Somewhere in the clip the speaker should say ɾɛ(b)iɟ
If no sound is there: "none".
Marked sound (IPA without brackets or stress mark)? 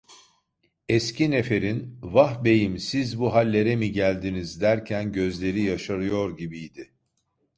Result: m